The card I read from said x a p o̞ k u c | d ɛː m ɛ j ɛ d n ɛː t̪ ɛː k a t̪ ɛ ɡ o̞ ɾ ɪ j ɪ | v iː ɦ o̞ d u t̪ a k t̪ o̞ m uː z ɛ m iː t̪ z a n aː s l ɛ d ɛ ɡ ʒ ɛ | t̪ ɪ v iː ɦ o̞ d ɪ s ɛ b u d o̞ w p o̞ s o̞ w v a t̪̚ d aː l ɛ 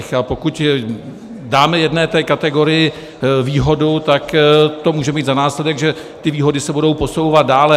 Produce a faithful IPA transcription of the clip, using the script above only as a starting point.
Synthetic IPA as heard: x a p o̞ k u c | d aː m ɛ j ɛ d n ɛː t̪ ɛː k a t̪ ɛ ɡ o̞ ɾ ɪ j ɪ | v iː ɦ o̞ d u t̪ a k t̪ o̞ m uː ʒ ɛ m iː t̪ z a n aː s l ɛ d ɛ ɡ ʒ ɛ | t̪ ɪ v iː ɦ o̞ d ɪ s ɛ b u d o̞ w p o̞ s o̞ w v a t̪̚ d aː l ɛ